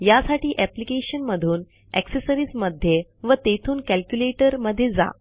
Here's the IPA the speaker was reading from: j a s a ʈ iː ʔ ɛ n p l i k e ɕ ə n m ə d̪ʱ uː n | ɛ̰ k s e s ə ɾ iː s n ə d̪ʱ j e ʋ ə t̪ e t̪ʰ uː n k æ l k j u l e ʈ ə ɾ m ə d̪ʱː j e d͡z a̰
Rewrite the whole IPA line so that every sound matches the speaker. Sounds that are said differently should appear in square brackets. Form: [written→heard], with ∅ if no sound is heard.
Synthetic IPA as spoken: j a s a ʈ iː ʔ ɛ [n→∅] p l i k e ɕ ə n m ə d̪ʱ uː n | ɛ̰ k s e s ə ɾ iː s [n→m] ə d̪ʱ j e ʋ ə t̪ e t̪ʰ uː n k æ l k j u l e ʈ ə ɾ m ə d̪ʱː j e d͡z a̰